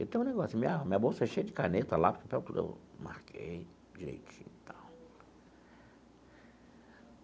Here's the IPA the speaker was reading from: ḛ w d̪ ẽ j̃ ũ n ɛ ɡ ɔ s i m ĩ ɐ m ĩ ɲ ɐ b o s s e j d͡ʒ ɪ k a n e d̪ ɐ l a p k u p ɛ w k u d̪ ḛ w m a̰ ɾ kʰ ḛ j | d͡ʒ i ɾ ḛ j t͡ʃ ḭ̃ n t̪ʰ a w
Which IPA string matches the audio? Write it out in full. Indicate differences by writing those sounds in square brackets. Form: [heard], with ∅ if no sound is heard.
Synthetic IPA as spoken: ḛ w [t̪] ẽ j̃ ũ n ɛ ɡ ɔ s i m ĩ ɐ m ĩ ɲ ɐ b o s [ʃ] e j d͡ʒ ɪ k a n e [t̪] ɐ l a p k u p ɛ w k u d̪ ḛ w m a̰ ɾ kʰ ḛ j | d͡ʒ i ɾ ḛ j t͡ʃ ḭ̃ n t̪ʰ a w